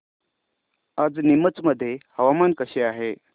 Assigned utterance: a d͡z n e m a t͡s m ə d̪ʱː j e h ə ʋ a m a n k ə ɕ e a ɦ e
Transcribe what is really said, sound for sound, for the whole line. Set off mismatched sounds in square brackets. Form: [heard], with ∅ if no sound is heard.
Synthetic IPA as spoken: a d͡z n [i] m [ə] t͡s m ə d̪ʱː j e h ə ʋ a m a n k ə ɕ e a ɦ e